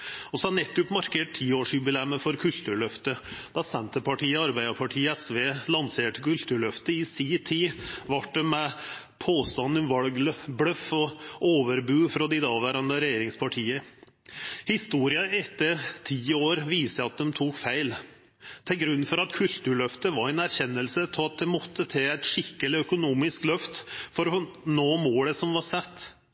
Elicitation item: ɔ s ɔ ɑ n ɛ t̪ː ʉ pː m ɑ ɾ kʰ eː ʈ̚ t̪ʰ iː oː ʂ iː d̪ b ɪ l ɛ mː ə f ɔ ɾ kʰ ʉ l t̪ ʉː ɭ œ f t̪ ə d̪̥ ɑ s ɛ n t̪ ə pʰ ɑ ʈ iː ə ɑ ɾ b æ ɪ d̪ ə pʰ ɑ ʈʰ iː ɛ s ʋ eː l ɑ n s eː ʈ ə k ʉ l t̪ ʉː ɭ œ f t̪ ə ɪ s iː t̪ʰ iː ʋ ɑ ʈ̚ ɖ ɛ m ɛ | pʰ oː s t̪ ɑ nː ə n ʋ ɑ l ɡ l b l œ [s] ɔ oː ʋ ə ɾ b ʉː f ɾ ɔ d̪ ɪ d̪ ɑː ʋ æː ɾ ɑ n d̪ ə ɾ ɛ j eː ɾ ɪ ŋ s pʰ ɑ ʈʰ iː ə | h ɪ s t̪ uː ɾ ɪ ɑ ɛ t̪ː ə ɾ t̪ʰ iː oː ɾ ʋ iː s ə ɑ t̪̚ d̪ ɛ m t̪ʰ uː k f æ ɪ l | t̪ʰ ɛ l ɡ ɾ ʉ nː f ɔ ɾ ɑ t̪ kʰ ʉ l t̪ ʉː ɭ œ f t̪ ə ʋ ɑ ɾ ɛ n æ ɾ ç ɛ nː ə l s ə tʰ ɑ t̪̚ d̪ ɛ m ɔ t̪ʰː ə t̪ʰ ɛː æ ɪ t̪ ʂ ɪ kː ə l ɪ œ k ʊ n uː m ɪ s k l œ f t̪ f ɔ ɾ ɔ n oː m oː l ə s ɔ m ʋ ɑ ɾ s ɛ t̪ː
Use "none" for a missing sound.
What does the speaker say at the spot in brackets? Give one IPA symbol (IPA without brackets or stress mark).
f